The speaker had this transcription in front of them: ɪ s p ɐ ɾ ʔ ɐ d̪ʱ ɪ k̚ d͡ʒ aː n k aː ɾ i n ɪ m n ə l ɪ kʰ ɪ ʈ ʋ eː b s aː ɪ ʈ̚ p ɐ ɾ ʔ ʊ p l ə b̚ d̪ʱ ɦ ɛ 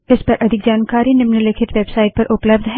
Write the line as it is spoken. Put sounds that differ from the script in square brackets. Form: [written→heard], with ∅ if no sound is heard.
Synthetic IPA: ɪ s p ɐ ɾ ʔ ɐ d̪ʱ ɪ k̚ d͡ʒ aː n k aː ɾ i n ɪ m n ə l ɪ kʰ ɪ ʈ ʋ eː b s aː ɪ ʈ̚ p ɐ ɾ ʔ ʊ p l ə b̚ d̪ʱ ɦ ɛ